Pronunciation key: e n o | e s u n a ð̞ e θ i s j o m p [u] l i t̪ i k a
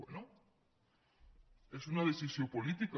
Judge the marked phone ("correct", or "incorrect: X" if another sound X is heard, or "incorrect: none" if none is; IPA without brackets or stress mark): incorrect: o